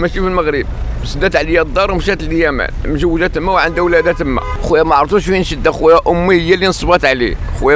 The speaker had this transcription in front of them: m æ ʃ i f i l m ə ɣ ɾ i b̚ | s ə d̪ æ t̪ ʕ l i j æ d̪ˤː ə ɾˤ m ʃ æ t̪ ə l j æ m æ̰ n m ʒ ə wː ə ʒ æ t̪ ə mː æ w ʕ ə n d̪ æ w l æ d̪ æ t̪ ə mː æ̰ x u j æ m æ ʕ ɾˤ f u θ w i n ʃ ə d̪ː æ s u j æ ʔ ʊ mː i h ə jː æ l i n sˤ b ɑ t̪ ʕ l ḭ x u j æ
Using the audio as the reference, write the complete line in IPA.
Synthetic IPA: m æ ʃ i f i l m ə ɣ ɾ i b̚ | s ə d̪ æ t̪ ʕ l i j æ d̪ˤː ɑ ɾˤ m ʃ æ t̪ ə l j æ m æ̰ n m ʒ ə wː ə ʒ æ t̪ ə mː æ w ʕ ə n d̪ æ w l æ d̪ æ t̪ ə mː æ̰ x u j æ m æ ʕ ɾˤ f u ʃ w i n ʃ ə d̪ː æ x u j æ ʔ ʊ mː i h ə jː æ l i n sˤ b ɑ t̪ ʕ l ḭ x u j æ